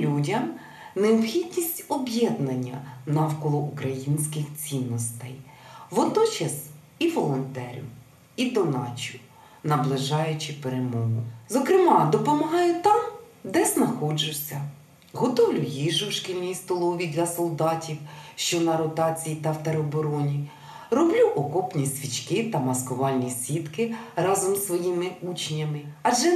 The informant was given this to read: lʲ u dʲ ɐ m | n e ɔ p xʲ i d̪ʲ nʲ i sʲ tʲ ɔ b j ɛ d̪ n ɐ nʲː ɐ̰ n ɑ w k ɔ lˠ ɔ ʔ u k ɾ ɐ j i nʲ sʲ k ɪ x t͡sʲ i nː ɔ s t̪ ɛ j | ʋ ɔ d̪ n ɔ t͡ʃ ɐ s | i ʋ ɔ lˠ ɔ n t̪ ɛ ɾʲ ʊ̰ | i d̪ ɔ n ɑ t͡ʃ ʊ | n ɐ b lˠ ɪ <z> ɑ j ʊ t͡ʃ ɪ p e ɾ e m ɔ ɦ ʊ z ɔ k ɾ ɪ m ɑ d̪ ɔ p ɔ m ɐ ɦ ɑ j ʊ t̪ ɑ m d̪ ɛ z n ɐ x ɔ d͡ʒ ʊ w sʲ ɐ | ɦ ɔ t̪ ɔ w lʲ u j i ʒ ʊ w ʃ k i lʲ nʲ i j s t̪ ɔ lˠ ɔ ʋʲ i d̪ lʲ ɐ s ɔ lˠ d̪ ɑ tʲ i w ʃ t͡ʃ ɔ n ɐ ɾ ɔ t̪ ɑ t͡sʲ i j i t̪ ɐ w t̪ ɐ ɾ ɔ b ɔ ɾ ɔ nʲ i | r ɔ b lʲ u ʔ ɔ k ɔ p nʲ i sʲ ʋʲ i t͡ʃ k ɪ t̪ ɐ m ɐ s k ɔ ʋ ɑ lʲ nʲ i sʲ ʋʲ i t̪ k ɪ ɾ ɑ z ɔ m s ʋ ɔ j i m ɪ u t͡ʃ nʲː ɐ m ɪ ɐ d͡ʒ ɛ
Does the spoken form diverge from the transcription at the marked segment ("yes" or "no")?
yes